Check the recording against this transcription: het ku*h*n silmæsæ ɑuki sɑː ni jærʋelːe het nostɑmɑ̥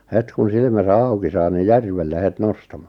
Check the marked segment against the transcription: incorrect: none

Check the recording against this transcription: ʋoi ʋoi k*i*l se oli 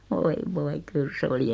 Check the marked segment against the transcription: incorrect: y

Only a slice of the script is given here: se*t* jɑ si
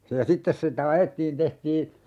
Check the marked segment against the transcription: incorrect: none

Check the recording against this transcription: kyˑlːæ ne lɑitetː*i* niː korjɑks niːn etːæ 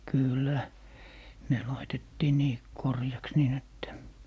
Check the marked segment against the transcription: incorrect: iː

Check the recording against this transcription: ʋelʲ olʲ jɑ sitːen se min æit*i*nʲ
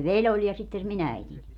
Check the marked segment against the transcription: correct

